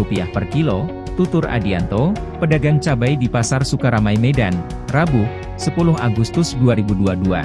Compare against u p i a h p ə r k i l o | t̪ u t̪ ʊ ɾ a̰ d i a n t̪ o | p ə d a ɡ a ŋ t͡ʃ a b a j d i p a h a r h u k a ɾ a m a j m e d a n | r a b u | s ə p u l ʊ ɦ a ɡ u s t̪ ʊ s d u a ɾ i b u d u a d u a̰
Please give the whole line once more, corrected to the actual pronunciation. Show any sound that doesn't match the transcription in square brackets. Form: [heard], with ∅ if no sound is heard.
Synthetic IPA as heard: u p i a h p ə r k i l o | t̪ u t̪ ʊ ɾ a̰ d i a n t̪ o | p ə d a ɡ a ŋ t͡ʃ a b a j d i p a [s] a r [s] u k a ɾ a m a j m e d a n | r a b u | s ə p u l ʊ ɦ a ɡ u s t̪ ʊ s d u a ɾ i b u d u a d u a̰